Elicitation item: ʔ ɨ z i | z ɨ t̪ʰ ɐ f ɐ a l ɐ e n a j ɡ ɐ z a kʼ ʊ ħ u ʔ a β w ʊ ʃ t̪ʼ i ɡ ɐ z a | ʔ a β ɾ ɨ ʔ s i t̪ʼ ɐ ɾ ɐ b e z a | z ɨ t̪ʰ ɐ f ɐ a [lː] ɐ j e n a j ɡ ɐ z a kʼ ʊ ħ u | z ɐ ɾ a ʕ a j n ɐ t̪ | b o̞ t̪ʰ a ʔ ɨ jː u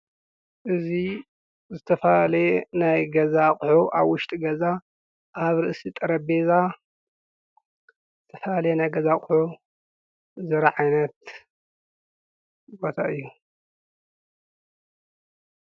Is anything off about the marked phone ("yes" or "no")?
yes